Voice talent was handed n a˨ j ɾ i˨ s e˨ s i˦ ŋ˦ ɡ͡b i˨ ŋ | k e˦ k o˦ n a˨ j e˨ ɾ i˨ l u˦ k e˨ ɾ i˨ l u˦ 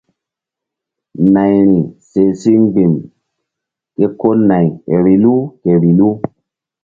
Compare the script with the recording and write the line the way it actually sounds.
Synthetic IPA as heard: n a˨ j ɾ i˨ s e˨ s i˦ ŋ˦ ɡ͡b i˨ m | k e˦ k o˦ n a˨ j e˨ ɾ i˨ l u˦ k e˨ ɾ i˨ l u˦